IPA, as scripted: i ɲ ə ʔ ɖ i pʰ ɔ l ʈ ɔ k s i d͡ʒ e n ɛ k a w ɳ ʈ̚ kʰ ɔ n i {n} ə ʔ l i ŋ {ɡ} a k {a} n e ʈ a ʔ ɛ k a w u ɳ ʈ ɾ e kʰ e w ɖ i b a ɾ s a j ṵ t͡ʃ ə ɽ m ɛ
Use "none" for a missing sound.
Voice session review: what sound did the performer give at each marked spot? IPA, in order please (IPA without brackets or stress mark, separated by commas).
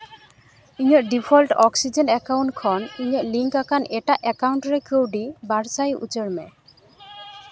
ɲ, k, a